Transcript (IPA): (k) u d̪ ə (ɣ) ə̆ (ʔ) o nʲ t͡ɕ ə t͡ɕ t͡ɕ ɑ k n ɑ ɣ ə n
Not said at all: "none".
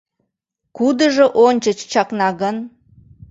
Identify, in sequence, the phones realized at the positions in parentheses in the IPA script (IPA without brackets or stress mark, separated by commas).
k, ʒ, ʔ